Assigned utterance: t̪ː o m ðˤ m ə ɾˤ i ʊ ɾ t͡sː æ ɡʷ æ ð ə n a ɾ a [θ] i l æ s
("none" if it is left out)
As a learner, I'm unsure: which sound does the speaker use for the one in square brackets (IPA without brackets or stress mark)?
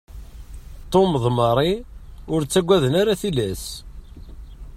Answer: θ